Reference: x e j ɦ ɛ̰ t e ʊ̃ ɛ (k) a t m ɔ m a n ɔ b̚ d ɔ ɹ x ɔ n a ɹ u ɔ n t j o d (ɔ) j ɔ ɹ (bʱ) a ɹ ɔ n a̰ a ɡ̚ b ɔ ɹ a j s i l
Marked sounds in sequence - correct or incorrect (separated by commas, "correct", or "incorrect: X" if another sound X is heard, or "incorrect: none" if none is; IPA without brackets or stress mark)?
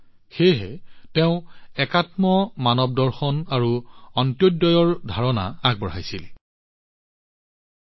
correct, correct, incorrect: dʱ